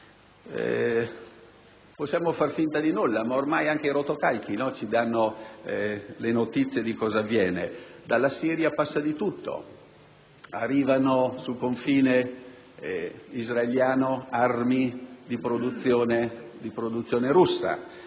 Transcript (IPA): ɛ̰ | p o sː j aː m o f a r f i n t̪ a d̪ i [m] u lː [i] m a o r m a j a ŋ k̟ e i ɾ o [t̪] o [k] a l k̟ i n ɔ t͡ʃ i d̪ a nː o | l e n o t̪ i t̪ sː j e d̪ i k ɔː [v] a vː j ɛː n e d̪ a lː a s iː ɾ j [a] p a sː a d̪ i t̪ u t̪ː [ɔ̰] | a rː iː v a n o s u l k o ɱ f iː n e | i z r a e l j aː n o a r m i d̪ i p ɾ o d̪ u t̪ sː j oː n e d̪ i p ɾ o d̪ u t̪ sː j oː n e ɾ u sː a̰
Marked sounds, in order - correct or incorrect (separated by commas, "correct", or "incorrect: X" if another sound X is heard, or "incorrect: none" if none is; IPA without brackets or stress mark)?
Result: incorrect: n, incorrect: a, correct, correct, incorrect: z, correct, incorrect: o̰